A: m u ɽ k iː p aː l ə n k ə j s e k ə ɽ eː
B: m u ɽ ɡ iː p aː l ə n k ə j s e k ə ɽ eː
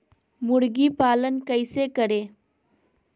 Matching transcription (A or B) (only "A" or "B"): B